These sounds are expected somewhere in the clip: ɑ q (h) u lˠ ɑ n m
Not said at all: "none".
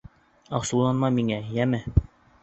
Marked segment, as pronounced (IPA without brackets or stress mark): s